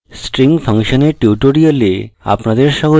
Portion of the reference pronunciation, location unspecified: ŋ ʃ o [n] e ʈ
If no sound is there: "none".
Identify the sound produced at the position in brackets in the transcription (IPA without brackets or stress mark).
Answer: n